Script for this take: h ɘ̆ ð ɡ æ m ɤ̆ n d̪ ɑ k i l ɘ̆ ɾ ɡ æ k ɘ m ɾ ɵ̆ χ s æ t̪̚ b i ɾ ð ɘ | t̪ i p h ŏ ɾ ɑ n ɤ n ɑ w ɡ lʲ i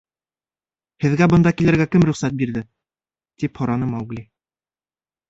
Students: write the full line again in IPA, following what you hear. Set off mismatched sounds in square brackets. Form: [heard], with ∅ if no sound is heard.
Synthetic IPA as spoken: h ɘ̆ ð ɡ æ [b] ɤ̆ n d̪ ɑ k i l ɘ̆ ɾ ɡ æ k ɘ m ɾ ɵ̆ χ s æ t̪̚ b i ɾ ð ɘ | t̪ i p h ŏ ɾ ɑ n ɤ [m] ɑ w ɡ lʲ i